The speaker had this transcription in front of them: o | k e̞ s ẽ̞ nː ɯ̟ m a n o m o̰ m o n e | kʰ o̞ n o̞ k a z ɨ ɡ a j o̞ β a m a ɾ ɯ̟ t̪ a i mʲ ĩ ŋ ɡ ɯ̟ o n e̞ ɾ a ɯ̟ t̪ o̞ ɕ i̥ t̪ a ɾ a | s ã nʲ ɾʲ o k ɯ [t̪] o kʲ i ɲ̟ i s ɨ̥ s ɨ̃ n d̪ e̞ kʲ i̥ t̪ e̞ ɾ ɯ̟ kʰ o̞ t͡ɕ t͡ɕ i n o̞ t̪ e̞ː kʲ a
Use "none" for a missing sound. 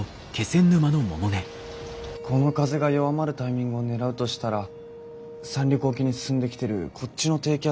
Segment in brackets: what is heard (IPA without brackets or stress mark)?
none